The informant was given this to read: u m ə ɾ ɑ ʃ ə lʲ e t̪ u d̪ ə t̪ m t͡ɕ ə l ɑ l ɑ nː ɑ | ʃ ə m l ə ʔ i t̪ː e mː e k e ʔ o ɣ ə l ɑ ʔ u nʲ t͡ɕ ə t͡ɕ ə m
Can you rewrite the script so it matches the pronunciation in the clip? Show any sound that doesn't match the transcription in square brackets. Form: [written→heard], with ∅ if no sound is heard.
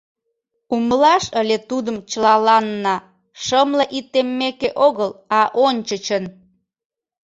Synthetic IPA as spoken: u m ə [ɾ→l] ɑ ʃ ə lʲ e t̪ u d̪ ə [t̪→∅] m t͡ɕ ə l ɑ l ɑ nː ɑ | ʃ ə m l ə ʔ i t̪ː e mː e k e ʔ o ɣ ə l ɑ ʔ [u→o] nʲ t͡ɕ ə t͡ɕ ə [m→n]